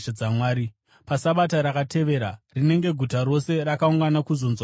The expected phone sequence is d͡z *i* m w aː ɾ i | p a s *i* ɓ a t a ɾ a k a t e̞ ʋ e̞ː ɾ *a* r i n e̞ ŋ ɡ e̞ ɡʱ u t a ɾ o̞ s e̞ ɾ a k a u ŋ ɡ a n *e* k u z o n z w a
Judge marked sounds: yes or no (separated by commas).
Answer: no, no, yes, no